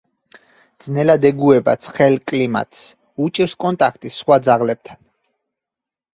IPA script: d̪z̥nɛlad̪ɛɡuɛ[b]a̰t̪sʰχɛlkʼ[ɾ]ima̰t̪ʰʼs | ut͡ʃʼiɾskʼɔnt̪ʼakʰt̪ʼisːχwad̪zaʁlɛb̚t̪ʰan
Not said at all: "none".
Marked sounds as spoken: b, l

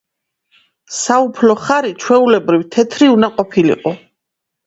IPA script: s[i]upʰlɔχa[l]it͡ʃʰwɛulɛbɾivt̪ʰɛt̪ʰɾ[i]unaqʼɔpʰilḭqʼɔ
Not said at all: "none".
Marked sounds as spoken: a, ɾ, i

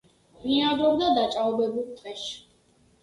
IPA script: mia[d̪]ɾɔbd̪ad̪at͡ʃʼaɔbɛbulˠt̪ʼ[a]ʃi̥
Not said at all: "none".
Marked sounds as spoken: d̪, ɛ

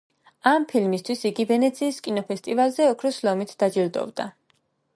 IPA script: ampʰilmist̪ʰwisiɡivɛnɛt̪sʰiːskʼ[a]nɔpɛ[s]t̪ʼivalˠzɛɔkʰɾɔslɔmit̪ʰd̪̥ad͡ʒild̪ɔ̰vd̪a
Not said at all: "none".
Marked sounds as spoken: i, s

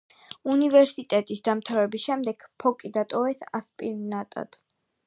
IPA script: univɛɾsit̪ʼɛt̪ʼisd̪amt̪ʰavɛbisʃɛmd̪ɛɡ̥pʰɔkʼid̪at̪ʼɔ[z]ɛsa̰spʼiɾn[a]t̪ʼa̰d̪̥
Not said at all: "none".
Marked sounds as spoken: v, a

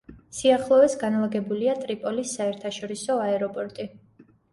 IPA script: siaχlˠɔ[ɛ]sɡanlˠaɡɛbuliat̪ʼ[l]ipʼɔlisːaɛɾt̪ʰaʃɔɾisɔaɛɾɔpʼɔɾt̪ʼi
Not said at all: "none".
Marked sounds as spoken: ɛ, ɾ

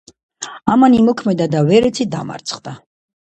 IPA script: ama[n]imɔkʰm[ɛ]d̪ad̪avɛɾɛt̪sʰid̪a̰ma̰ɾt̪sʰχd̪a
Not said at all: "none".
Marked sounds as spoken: n, ɛ

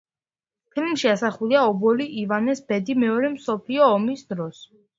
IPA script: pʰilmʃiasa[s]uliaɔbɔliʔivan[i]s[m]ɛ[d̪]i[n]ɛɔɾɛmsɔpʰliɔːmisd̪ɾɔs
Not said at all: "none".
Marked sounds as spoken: χ, ɛ, b, d̪, m

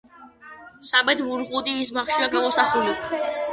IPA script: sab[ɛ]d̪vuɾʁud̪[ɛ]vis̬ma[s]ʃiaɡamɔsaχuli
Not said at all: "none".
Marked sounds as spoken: ɛ, i, χ

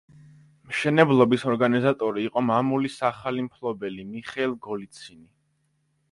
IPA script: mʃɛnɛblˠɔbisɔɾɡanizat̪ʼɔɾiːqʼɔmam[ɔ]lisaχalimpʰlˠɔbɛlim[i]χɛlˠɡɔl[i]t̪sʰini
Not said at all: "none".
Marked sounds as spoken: u, i, i

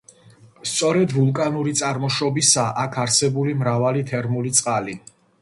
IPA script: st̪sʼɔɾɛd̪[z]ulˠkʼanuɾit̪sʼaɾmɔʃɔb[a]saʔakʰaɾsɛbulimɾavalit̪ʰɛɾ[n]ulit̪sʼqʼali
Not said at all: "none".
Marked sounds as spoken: v, i, m

